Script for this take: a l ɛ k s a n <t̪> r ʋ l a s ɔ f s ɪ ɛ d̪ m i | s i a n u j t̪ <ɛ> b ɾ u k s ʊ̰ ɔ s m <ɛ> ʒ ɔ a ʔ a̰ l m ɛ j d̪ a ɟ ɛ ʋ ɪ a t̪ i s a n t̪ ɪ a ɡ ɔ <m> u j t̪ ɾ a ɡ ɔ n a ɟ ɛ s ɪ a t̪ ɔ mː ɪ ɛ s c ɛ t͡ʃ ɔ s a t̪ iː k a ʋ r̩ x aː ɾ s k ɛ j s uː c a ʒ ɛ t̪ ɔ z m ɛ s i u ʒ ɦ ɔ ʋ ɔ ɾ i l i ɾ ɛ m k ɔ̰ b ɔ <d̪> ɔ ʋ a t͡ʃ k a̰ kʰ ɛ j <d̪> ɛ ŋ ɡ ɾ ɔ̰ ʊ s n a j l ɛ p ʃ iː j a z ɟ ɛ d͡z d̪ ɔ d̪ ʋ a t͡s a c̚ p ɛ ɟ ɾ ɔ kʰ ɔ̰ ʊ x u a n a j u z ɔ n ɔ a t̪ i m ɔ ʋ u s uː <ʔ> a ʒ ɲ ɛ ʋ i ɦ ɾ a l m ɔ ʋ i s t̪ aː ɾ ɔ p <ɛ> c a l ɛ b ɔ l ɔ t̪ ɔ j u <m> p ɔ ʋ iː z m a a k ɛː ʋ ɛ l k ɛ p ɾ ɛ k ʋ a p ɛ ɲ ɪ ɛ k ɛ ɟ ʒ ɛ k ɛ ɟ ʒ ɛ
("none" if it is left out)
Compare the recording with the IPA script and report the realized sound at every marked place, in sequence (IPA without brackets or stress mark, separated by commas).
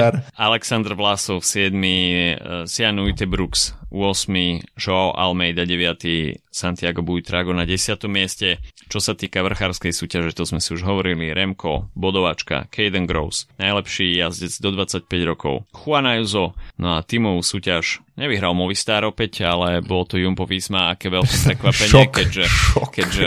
d̪, ɛ, i, b, d̪, d̪, c, ɛ, m